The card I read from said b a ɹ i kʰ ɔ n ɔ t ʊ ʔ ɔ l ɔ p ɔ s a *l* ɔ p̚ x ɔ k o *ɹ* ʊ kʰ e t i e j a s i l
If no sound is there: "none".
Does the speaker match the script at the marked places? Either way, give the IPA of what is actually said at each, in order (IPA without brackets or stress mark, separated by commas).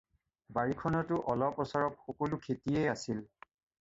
ɹ, l